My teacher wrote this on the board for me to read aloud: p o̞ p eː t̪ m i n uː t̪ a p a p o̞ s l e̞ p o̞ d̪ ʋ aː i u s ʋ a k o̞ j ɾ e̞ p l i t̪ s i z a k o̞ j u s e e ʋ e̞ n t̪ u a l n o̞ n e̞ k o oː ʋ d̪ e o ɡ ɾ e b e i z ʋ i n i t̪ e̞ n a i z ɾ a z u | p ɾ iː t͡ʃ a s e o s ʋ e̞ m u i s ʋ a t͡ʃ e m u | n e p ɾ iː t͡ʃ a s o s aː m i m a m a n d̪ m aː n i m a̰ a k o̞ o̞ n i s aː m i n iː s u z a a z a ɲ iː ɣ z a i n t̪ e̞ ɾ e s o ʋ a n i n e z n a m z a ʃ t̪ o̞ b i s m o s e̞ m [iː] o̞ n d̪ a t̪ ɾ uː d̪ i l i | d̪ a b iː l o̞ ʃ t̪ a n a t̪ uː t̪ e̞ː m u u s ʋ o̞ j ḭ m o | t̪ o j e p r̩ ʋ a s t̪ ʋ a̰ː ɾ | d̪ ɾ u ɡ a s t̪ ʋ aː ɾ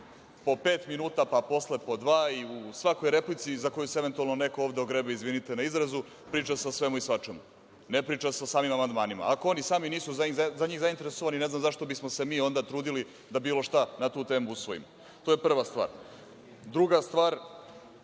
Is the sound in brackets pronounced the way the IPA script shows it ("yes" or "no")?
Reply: yes